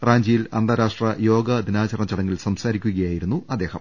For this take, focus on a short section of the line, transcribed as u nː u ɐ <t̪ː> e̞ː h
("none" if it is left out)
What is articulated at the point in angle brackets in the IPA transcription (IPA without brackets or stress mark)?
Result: d̪ː